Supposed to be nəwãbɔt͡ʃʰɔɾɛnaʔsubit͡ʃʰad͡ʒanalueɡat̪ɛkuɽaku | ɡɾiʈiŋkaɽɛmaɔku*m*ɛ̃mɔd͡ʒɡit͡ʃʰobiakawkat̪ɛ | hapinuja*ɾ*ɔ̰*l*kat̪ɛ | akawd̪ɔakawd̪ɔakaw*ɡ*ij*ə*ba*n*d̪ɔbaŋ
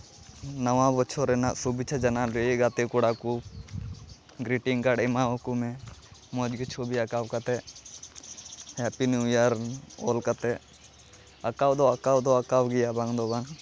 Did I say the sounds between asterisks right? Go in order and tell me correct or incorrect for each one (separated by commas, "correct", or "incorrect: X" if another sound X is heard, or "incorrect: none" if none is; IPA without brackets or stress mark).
correct, correct, correct, correct, incorrect: a, incorrect: ŋ